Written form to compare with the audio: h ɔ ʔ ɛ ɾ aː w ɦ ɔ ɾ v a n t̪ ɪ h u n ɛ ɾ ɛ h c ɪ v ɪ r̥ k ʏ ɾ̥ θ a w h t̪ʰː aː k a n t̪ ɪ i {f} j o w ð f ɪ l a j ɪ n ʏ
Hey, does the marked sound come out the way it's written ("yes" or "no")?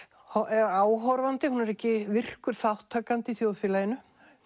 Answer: no